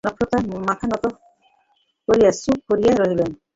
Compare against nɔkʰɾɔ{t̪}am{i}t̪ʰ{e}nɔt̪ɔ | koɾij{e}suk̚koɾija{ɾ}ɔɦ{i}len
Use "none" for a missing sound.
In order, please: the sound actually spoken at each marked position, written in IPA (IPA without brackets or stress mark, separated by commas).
t̪, a, a, a, ɾ, i